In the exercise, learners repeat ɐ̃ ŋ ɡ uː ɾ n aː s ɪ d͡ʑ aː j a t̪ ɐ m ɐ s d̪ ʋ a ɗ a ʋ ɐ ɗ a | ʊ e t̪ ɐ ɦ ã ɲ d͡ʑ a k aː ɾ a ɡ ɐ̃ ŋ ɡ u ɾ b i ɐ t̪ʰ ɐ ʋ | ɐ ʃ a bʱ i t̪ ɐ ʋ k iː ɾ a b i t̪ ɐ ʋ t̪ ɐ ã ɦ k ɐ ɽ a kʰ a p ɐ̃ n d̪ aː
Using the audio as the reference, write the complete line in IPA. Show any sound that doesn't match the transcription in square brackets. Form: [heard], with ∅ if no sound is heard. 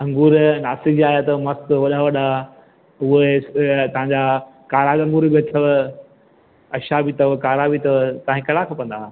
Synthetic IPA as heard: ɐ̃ ŋ ɡ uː ɾ n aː s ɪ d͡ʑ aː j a t̪ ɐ m ɐ s [t̪] ʋ [ɐ] ɗ a ʋ ɐ ɗ a | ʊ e t̪ ɐ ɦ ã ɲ d͡ʑ a k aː ɾ a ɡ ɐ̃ ŋ ɡ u ɾ b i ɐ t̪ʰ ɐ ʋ | ɐ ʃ a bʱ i t̪ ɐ ʋ k [aː] ɾ a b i t̪ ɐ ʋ t̪ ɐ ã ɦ k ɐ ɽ a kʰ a p ɐ̃ n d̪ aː